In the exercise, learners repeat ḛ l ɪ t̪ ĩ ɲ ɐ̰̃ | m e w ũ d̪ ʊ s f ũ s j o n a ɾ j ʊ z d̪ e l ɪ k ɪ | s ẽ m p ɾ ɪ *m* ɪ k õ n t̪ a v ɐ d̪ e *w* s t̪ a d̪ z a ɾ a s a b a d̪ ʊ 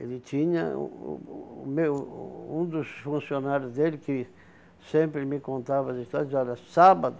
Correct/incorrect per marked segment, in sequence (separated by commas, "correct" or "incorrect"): correct, incorrect